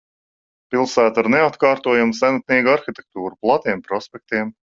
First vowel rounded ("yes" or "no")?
no